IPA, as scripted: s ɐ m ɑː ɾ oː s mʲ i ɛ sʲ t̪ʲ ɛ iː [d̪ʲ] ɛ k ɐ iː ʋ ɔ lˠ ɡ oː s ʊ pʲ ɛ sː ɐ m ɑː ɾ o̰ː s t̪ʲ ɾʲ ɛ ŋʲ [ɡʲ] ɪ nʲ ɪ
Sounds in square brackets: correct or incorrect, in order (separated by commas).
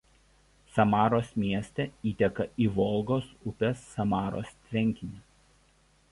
incorrect, incorrect